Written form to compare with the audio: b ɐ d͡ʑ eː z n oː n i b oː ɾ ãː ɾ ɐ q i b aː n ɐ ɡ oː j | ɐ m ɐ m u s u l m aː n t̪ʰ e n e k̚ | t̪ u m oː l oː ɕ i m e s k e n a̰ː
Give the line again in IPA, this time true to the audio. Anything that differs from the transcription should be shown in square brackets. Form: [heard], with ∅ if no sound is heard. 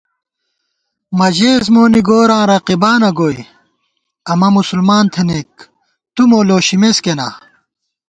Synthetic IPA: [m] ɐ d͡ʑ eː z [m] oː n i [ɡ] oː ɾ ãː ɾ ɐ q i b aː n ɐ ɡ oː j | ɐ m ɐ m u s u l m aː n t̪ʰ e n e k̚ | t̪ u m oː l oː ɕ i m e s k e n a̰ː

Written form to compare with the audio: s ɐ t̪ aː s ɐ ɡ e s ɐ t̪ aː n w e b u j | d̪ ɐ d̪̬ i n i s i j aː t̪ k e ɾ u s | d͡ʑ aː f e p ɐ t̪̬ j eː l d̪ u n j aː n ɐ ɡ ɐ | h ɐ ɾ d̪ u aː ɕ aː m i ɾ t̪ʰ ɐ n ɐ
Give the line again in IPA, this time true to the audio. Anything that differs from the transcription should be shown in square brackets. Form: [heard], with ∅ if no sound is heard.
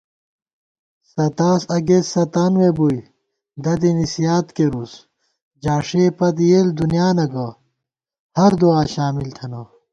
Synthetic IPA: s ɐ t̪ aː s ɐ ɡ e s ɐ t̪ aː n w e b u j | d̪ ɐ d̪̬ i n i s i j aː t̪ k e ɾ u s | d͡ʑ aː [ʂ] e p ɐ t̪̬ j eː l d̪ u n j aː n ɐ ɡ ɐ | h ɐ ɾ d̪ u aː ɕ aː m i [l] t̪ʰ ɐ n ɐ

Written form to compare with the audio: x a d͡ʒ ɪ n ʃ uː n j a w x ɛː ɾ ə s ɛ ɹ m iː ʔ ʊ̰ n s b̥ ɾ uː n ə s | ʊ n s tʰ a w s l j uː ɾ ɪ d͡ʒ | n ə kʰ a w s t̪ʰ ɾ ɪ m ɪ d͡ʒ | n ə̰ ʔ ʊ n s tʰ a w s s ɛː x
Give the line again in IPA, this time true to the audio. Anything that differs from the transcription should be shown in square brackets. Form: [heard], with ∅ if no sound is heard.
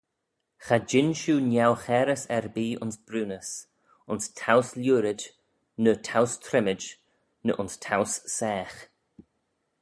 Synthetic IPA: x a d͡ʒ ɪ n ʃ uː n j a w x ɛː ɾ ə s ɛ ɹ [b] iː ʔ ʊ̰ n s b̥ ɾ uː n ə s | ʊ n s tʰ a w s l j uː ɾ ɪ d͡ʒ | n ə [tʰ] a w s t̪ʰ ɾ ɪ m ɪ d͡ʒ | n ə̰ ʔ ʊ n s tʰ a w s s ɛː x

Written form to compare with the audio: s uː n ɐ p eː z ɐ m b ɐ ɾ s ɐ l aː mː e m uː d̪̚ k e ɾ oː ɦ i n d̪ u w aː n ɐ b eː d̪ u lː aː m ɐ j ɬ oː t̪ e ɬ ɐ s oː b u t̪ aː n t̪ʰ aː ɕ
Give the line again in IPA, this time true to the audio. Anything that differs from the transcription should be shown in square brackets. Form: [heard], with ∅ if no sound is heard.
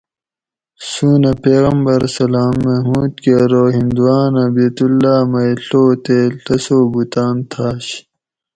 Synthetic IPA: s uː n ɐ p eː [ɣ] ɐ m b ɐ ɾ s ɐ l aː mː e m uː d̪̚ k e ɾ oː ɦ i n d̪ u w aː n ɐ b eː [t̪] u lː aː m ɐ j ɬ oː t̪ e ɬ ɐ s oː b u t̪ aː n t̪ʰ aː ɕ

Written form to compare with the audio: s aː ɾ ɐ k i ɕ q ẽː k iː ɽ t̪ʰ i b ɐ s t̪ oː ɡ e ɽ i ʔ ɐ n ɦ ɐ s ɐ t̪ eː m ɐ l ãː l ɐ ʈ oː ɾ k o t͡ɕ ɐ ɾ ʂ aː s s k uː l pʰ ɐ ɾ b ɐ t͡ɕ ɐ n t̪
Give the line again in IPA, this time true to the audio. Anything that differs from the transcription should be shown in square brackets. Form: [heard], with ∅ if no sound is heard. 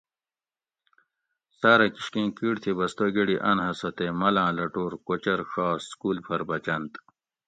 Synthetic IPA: s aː ɾ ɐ k i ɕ [k] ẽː k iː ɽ t̪ʰ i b ɐ s t̪ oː ɡ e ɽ i ʔ ɐ n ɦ ɐ s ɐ t̪ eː m ɐ l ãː l ɐ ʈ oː ɾ k o t͡ɕ ɐ ɾ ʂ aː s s k uː l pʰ ɐ ɾ b ɐ t͡ɕ ɐ n t̪

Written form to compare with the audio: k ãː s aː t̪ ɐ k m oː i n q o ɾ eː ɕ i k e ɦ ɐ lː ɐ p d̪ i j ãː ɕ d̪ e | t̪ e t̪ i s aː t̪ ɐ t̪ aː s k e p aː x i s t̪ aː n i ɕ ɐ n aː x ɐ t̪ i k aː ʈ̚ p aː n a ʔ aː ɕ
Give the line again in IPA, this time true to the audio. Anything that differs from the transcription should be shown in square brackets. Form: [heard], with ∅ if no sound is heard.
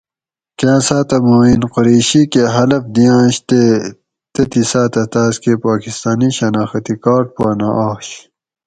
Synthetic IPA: k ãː s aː t̪ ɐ [∅] m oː i n q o ɾ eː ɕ i k e ɦ ɐ [l] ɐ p d̪ i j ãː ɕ [t̪] e | t̪ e t̪ i s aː t̪ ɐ t̪ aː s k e p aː [k] i s t̪ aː n i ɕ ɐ n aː x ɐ t̪ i k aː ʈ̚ p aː n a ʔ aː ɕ

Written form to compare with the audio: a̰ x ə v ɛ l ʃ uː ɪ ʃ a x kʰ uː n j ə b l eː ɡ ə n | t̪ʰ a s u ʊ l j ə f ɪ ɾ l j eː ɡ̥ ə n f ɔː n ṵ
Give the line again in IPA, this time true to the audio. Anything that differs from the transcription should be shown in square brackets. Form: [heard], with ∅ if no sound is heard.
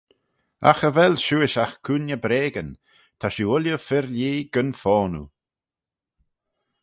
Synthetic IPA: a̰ x ə v ɛ l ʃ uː ɪ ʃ a x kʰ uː n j ə b [ɾ] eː ɡ ə n | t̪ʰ a [ʃ] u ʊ l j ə f ɪ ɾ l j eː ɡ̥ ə n f ɔː n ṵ

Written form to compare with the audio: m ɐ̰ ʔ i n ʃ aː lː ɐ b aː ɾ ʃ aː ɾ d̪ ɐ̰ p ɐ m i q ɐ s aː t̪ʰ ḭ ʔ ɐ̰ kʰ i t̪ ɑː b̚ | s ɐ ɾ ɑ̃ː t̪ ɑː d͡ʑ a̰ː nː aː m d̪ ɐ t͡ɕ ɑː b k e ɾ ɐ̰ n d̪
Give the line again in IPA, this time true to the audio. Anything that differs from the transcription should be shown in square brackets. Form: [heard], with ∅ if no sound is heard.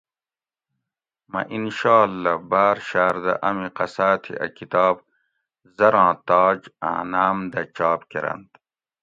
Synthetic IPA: m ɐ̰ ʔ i n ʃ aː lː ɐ b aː ɾ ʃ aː ɾ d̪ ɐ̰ [ʔ] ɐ m i q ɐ s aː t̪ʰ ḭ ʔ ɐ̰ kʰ i t̪ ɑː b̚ | [z] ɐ ɾ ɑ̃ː t̪ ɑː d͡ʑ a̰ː [n] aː m d̪ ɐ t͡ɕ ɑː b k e ɾ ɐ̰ n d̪

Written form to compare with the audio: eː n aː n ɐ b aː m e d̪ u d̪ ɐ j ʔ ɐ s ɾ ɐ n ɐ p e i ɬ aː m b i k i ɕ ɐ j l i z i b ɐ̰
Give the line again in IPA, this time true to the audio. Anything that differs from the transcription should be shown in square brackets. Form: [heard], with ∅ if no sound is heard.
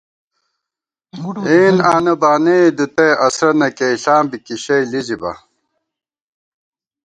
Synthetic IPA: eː n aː n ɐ b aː [n] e d̪ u [t̪] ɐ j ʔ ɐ s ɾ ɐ n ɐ [k] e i ɬ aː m b i k i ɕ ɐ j l i z i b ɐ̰

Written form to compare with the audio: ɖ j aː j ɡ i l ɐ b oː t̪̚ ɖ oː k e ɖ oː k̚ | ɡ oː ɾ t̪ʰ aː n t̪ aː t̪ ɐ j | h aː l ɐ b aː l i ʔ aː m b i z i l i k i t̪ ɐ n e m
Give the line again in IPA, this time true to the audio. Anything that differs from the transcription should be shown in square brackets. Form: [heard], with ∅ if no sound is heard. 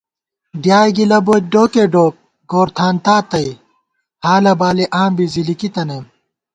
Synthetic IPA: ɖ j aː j ɡ i l ɐ b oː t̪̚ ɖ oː k e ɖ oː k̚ | ɡ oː ɾ t̪ʰ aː n t̪ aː t̪ ɐ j | h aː l ɐ b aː l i ʔ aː m b i z i l i k i t̪ ɐ n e m

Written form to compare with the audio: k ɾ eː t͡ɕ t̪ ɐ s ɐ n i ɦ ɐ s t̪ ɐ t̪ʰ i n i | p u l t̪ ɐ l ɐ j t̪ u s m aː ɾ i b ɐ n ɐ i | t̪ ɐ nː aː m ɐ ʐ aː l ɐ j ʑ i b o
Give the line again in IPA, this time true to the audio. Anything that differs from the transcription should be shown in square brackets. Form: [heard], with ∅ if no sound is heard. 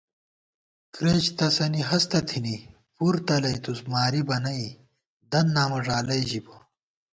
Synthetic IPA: k ɾ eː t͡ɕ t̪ ɐ s ɐ n i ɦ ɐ s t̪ ɐ t̪ʰ i n i | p u [ɾ] t̪ ɐ l ɐ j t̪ u s m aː ɾ i b ɐ n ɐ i | [d̪] ɐ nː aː m ɐ ʐ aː l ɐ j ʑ i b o

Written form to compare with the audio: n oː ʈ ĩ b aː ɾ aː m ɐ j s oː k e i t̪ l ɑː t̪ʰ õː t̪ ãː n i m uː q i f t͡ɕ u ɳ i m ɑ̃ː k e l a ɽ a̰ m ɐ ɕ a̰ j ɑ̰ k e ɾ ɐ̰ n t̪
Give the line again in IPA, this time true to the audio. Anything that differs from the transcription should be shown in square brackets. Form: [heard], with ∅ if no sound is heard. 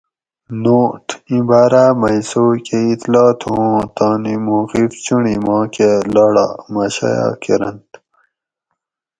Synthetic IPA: n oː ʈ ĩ b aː ɾ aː m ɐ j s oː k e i t̪ l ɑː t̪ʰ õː t̪ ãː n i m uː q i f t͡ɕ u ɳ i m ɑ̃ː k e l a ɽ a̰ m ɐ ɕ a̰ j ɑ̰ k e ɾ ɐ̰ n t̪

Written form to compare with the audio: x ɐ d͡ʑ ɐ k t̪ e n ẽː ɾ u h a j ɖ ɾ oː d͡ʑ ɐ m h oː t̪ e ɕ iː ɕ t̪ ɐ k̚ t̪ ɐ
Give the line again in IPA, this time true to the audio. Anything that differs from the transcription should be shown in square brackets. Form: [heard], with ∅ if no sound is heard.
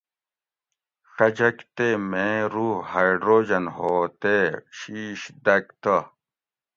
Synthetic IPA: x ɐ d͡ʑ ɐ k t̪ e [m] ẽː ɾ u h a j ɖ ɾ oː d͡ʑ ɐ [n] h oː t̪ e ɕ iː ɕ [d̪] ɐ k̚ t̪ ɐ

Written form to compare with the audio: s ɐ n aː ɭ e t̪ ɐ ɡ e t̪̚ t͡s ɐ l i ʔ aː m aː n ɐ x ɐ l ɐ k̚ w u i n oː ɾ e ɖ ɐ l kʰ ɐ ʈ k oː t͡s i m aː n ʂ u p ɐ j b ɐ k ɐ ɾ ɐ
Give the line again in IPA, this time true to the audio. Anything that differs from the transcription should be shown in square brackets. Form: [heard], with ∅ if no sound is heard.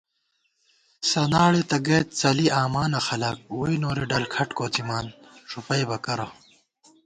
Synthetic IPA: s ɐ n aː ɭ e t̪ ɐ ɡ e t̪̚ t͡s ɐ l i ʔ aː m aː n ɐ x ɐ l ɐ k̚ w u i n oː ɾ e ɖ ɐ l kʰ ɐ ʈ k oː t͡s i m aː n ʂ u p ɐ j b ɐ k ɐ ɾ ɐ

